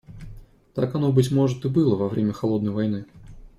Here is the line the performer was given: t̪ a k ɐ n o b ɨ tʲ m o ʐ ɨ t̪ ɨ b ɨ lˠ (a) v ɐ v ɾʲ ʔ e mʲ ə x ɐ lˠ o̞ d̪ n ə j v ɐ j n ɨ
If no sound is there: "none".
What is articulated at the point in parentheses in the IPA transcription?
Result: ə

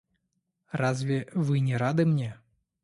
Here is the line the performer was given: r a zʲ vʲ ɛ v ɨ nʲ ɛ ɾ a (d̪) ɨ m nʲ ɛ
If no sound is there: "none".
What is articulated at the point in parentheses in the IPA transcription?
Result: d̪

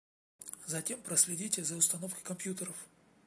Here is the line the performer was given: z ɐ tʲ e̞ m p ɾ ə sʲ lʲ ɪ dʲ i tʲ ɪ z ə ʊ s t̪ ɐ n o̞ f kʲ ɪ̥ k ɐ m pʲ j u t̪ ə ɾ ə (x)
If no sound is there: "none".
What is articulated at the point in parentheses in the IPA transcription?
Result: f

